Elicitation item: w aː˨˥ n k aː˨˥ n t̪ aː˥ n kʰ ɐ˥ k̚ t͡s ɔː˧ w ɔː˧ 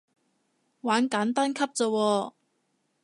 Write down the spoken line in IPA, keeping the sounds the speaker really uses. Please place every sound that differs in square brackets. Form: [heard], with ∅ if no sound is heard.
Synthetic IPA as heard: w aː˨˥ n k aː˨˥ n t̪ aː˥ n kʰ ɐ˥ [p̚] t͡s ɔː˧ w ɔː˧